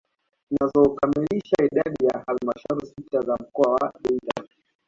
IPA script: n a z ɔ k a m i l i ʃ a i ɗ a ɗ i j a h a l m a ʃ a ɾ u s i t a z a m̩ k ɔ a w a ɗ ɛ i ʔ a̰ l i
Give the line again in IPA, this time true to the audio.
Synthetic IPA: n a z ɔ k a m i l i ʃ a i ɗ a ɗ i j a h a l m a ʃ a ɾ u s i t a z a m̩ k ɔ a w a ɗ ɛ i t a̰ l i